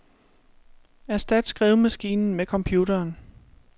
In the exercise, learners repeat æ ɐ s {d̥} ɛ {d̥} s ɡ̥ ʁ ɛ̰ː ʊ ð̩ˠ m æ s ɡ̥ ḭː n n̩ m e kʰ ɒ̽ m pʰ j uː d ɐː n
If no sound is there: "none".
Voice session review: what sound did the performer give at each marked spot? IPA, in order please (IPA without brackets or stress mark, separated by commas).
d̥, d̥